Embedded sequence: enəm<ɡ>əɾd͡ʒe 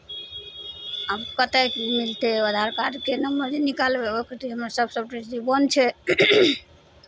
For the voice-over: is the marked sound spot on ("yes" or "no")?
no